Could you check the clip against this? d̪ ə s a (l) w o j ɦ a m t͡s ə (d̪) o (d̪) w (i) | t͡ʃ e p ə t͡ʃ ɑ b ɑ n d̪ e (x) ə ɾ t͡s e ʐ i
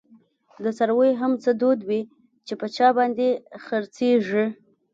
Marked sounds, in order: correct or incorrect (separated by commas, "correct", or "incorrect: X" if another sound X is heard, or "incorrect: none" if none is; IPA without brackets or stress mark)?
incorrect: ɾ, correct, correct, correct, correct